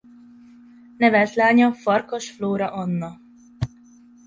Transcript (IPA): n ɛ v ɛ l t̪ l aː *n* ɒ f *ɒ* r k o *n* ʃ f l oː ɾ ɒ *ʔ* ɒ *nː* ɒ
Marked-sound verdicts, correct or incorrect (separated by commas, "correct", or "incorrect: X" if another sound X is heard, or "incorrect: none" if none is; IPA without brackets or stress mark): incorrect: ɲ, correct, incorrect: none, correct, correct